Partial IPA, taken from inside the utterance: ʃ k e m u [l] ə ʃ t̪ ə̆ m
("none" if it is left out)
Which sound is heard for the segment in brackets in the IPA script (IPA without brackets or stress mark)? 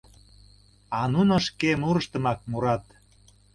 ɾ